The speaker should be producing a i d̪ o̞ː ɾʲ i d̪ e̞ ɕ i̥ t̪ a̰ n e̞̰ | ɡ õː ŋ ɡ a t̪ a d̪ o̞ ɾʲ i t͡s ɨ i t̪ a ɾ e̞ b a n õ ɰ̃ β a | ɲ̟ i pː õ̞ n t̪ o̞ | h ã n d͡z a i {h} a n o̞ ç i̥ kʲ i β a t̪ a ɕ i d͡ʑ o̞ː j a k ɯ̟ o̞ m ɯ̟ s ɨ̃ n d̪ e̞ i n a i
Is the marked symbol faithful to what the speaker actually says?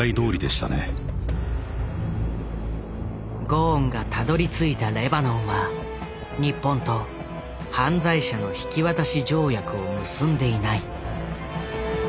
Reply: no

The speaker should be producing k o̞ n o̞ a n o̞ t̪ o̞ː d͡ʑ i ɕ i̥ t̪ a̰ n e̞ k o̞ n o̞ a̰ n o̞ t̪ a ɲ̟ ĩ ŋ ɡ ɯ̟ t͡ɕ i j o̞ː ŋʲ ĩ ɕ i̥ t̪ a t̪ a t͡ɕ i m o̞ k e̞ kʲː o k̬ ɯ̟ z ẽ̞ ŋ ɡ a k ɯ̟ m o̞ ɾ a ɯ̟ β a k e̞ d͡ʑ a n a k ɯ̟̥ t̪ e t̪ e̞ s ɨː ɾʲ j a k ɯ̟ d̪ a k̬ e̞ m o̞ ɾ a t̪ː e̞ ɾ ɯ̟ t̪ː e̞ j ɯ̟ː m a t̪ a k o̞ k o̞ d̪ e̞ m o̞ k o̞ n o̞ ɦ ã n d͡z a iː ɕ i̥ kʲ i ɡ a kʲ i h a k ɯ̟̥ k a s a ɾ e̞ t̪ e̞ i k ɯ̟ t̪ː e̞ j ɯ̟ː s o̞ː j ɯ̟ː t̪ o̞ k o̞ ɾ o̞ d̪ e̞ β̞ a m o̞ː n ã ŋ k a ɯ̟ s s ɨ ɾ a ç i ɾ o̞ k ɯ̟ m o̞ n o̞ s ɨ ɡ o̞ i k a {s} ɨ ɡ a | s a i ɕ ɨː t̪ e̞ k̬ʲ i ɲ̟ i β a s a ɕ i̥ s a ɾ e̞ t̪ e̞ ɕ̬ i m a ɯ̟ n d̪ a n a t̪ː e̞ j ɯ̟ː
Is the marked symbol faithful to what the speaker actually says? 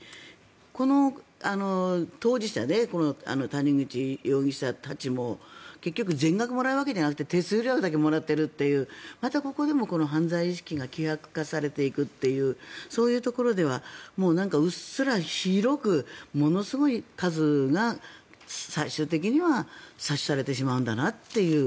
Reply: no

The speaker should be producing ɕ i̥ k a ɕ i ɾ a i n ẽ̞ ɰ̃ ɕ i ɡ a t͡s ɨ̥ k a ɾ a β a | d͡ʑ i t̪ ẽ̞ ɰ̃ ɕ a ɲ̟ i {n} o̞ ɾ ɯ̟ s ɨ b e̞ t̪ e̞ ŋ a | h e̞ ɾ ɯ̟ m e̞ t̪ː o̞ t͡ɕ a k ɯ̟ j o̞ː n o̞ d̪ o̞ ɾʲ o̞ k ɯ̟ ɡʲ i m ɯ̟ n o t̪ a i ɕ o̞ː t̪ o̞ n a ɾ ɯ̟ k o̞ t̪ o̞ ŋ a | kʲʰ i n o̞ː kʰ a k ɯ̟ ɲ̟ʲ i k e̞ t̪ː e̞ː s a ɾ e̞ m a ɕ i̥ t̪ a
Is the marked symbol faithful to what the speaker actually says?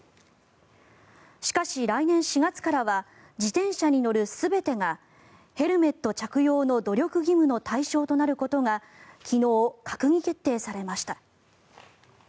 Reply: yes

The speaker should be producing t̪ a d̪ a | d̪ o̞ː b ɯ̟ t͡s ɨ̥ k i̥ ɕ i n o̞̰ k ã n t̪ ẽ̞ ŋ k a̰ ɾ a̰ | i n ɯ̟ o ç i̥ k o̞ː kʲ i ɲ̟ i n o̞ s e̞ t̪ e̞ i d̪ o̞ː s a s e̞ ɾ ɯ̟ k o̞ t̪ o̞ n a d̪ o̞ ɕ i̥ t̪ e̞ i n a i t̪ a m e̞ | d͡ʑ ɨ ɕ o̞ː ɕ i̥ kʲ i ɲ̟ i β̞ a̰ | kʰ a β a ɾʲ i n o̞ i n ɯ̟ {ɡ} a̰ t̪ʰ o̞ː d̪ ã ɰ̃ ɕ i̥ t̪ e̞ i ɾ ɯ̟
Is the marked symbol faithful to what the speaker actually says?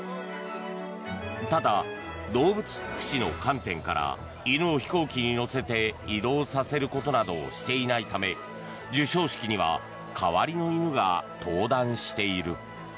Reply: yes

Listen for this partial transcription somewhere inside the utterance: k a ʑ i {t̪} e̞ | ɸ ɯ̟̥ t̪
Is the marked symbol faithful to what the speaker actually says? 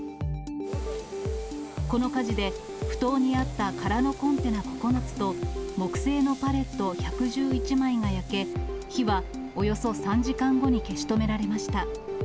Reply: no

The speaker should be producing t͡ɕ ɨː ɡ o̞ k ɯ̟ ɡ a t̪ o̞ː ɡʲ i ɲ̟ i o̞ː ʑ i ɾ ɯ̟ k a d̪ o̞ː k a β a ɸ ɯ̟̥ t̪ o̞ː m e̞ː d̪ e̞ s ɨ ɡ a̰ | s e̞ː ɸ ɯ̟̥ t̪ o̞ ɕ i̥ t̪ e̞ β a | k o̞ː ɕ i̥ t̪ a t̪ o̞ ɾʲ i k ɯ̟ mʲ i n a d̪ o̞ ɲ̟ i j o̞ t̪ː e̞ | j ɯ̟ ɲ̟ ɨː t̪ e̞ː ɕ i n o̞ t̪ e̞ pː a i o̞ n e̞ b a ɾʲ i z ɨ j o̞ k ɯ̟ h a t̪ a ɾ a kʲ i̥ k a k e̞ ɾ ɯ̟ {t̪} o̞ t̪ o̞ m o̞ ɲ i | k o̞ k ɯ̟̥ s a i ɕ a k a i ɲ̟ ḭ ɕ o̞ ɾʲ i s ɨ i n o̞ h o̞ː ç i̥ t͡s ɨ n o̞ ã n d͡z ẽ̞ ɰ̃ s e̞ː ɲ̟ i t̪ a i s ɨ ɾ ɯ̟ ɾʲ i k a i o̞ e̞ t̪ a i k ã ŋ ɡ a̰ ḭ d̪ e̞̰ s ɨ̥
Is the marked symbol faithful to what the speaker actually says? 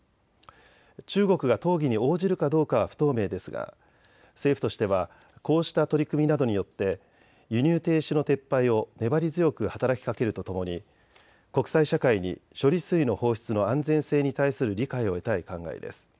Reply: yes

